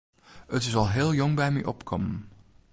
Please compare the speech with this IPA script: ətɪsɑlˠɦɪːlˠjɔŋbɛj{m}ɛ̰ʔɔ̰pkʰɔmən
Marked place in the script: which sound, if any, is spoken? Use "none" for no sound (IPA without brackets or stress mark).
m